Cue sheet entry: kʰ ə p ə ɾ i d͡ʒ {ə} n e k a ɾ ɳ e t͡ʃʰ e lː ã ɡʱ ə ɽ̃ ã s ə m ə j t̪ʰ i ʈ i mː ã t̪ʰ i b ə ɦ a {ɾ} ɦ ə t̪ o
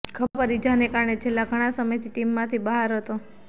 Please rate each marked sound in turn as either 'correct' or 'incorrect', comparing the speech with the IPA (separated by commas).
incorrect, correct